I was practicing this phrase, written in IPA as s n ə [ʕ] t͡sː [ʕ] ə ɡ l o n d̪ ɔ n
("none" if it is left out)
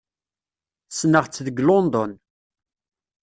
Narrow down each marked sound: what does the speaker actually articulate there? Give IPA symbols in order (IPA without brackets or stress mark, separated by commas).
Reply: ʁ, ð